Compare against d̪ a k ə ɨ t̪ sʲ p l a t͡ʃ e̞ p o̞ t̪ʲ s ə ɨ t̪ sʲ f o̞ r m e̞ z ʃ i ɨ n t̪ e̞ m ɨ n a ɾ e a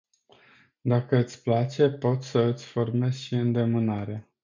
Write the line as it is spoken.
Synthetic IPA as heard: d̪ a k ə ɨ t̪ sʲ p l a t͡ʃ e̞ p o̞ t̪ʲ s ə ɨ t̪ sʲ f o̞ r m e̞ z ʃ i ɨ n d̪ e̞ m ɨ n a ɾ e a